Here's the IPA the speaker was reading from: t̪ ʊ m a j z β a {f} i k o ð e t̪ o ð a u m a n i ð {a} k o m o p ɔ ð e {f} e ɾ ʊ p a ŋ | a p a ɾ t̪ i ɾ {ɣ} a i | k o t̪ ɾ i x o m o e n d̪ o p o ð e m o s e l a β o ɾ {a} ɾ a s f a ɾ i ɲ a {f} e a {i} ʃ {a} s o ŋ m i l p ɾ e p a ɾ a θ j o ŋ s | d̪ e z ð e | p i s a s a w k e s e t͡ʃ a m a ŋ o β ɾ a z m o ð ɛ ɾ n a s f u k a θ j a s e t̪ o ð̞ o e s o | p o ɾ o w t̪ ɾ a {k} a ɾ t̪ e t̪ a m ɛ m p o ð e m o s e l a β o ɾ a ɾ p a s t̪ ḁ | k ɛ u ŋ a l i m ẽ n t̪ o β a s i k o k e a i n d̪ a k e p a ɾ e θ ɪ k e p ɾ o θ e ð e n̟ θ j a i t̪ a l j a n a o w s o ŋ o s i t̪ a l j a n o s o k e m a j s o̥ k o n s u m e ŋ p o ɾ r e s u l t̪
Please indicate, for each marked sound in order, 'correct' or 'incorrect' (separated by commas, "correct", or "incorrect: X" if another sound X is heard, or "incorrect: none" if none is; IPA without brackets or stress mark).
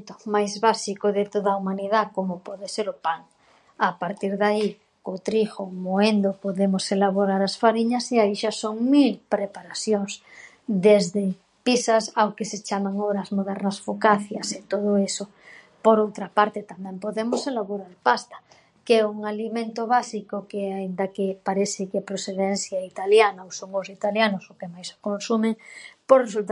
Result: incorrect: s, correct, incorrect: s, incorrect: ð, correct, incorrect: s, correct, correct, incorrect: p